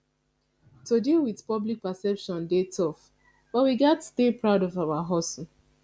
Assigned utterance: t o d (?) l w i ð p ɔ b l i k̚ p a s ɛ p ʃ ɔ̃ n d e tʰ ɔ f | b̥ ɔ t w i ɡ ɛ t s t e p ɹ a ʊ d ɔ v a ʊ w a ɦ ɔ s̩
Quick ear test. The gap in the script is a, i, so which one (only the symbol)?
i